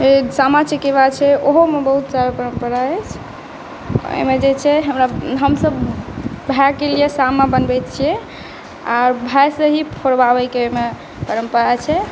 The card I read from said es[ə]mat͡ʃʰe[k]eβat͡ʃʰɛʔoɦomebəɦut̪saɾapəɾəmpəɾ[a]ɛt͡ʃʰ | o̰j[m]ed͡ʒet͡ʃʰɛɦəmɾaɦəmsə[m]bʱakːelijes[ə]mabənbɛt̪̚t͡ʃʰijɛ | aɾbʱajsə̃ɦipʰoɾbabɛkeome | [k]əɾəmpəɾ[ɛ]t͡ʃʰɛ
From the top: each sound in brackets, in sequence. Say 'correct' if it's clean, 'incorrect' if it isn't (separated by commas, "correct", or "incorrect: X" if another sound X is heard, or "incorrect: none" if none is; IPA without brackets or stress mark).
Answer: incorrect: a, correct, correct, correct, incorrect: b, incorrect: a, incorrect: p, incorrect: a